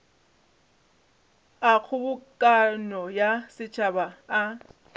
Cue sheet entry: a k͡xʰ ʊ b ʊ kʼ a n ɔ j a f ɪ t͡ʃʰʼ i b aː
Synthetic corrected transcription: a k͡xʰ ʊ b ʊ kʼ a n ɔ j a s ɪ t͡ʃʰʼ a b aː